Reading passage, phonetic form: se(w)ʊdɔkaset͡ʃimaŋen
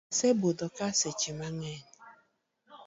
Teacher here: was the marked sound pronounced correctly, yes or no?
no